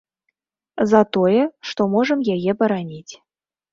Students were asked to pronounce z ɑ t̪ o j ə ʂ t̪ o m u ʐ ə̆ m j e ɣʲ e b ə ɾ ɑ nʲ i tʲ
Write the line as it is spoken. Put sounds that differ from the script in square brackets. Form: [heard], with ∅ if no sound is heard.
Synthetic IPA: z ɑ t̪ o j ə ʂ t̪ o m [o] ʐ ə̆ m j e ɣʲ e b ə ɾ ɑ nʲ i tʲ